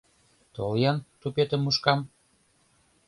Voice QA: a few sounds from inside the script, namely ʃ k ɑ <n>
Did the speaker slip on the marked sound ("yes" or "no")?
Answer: yes